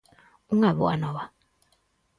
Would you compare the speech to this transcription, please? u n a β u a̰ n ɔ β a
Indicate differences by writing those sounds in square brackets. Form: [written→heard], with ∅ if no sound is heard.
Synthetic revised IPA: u [n→ŋ] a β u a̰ n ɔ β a